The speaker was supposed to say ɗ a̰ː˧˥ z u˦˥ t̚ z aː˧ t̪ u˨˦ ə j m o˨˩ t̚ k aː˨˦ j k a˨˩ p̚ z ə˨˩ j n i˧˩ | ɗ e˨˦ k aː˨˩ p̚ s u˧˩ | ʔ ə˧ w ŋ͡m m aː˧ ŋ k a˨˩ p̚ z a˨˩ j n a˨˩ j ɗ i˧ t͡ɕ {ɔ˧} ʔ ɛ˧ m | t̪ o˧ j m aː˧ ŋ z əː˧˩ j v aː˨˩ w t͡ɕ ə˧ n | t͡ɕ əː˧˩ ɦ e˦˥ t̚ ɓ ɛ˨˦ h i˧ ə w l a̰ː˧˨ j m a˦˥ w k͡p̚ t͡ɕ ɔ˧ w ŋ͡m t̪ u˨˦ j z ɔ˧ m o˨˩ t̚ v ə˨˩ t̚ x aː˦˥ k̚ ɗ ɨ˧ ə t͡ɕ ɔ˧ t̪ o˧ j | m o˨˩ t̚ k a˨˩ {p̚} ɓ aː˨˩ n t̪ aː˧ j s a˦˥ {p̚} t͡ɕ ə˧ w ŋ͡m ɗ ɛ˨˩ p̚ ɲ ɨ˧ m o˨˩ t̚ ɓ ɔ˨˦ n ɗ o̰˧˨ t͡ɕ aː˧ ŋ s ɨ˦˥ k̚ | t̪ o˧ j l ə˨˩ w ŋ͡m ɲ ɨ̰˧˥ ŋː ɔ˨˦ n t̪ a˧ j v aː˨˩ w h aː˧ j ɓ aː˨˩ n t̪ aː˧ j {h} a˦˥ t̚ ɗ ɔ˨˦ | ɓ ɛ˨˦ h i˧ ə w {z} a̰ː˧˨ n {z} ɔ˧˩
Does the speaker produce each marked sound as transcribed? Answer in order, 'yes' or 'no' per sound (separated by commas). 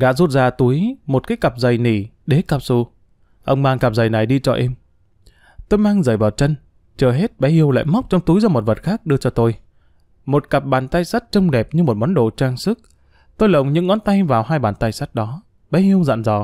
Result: yes, yes, no, no, yes, yes